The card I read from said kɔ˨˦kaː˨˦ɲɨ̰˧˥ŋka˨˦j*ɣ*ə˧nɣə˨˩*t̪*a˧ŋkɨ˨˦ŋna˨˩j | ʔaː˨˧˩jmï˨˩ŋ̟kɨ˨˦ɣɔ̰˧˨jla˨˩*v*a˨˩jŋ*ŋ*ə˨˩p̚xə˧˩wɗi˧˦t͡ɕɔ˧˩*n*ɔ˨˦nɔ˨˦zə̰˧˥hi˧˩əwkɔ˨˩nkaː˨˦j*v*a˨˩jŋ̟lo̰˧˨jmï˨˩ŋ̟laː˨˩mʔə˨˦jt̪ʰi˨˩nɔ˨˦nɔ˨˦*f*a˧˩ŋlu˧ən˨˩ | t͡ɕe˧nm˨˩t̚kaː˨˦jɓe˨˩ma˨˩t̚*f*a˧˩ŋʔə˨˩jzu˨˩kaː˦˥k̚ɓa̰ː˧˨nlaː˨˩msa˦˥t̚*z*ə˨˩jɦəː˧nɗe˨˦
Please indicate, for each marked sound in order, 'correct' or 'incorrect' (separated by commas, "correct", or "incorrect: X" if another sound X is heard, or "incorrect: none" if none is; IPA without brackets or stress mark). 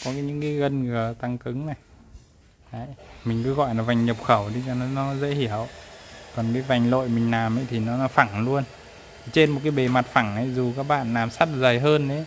correct, correct, correct, incorrect: ɲ, correct, correct, correct, correct, correct